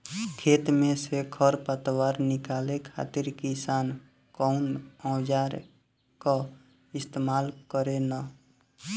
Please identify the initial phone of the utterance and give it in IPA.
kʰ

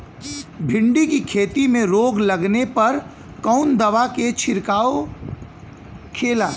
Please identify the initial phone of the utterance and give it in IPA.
bʱ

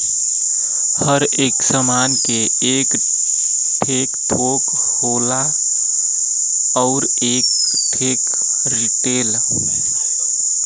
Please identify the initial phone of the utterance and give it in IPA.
h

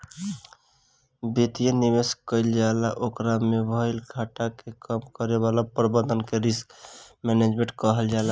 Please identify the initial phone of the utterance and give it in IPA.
b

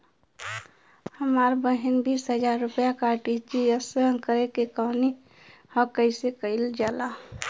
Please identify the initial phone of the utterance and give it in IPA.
h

